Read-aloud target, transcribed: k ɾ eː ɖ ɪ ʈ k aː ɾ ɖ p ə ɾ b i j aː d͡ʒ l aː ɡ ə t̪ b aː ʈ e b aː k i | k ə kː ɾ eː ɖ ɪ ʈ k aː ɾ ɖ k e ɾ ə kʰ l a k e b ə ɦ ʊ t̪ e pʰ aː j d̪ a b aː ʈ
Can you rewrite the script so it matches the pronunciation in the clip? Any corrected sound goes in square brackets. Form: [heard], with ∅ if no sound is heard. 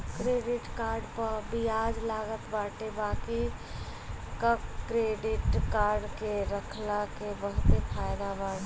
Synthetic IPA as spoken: k ɾ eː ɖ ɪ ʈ k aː ɾ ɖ p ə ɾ b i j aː d͡ʒ l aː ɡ ə t̪ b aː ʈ e b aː k i | k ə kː ɾ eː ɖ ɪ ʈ k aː ɾ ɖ k e ɾ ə kʰ l a k e b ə ɦ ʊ t̪ e pʰ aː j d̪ a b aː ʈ